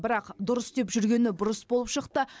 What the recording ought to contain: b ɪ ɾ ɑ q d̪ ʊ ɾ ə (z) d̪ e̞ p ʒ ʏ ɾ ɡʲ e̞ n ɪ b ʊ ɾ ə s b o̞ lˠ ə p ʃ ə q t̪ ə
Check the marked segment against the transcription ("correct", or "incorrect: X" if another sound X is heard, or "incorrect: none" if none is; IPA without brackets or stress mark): incorrect: s